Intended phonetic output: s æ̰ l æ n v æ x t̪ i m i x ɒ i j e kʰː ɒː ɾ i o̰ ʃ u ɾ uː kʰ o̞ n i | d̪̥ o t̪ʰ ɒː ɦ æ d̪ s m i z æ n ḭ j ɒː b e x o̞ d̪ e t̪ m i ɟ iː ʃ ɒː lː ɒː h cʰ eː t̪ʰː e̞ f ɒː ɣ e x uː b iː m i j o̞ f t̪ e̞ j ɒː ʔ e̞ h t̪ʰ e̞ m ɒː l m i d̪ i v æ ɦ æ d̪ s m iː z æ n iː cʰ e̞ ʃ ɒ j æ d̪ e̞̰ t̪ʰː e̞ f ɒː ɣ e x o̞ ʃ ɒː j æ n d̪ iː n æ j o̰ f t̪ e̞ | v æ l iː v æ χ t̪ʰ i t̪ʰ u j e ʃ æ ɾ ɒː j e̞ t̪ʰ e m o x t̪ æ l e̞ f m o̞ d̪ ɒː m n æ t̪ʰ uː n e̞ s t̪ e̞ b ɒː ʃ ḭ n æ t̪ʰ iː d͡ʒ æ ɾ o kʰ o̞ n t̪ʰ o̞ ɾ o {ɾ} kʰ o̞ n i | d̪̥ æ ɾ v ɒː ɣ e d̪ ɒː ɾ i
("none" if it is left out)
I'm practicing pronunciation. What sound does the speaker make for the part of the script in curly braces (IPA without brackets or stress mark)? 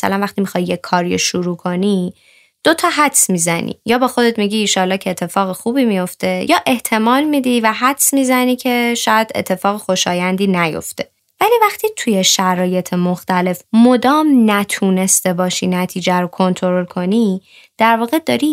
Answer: l